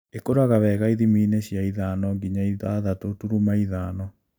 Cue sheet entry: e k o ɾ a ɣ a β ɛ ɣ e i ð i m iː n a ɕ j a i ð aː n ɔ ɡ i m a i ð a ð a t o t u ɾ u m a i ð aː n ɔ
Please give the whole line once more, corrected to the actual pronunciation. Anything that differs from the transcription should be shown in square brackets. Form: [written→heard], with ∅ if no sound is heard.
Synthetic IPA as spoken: e k o ɾ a ɣ a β ɛ ɣ [e→a] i ð i m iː n [a→e] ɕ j a i ð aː n ɔ ɡ i [m→ɲ] a i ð a ð a t o t u ɾ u m a i ð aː n ɔ